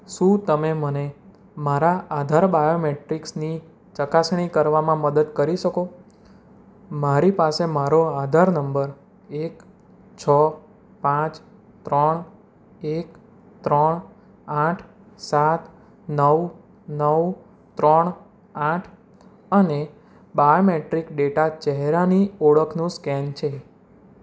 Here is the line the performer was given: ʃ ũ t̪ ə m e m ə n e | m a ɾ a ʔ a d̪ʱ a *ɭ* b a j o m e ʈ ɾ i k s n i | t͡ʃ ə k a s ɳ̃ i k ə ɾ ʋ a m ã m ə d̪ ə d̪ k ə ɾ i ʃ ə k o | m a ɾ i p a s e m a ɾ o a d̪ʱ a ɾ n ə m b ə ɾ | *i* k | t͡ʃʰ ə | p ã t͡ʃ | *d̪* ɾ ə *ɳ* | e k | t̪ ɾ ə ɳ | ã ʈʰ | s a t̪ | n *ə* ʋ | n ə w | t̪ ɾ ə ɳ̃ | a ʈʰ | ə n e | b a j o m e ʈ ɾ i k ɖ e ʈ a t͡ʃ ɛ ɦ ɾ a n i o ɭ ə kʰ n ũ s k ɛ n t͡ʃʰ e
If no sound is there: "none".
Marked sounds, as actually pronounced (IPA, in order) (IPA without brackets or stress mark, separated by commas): ɾ, e, t̪, ɳ, ə